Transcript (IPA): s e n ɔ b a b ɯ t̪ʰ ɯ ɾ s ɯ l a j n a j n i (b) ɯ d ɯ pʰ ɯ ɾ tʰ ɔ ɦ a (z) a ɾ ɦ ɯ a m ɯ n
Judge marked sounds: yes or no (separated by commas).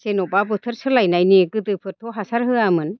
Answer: no, no